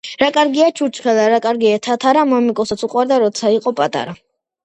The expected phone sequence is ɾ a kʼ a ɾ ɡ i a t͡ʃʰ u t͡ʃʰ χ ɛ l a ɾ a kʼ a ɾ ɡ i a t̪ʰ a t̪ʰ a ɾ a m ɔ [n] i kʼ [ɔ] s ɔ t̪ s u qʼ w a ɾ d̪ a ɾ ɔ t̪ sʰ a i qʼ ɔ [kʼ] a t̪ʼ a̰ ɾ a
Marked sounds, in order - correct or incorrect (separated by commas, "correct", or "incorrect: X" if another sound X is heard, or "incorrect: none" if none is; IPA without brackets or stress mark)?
incorrect: m, correct, incorrect: pʼ